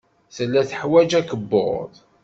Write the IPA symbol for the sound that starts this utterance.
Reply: θ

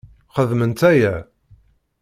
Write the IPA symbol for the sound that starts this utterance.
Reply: χ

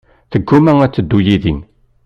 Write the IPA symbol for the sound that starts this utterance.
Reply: θ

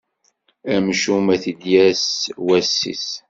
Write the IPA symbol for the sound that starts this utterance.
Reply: æ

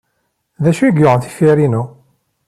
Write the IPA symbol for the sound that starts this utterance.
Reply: ð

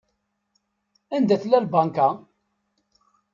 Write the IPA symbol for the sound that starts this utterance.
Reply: æ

